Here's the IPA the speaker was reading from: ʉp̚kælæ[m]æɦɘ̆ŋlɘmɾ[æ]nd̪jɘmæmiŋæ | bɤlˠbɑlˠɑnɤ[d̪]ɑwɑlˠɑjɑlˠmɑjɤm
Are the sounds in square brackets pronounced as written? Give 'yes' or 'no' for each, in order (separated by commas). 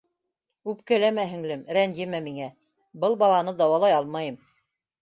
yes, yes, yes